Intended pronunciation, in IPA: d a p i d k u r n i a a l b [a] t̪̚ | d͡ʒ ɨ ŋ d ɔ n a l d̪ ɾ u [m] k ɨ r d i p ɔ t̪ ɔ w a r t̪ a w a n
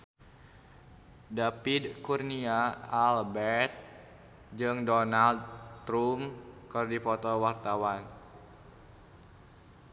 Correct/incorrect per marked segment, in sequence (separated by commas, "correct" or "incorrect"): incorrect, correct